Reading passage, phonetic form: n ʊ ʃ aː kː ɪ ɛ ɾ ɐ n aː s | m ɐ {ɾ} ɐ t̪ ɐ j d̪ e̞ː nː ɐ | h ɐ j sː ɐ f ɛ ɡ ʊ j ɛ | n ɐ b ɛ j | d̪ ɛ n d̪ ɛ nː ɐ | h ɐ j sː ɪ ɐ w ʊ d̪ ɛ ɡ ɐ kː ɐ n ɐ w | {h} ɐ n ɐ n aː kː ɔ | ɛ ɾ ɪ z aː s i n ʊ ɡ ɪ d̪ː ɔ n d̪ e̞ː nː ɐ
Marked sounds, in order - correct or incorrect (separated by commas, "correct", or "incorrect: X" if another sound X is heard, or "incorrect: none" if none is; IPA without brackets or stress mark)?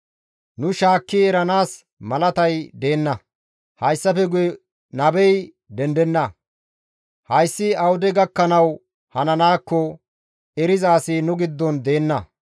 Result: incorrect: l, correct